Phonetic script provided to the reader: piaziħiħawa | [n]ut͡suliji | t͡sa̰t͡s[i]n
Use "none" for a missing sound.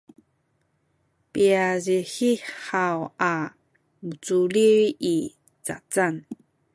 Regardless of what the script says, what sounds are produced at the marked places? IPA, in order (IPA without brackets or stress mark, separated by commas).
m, a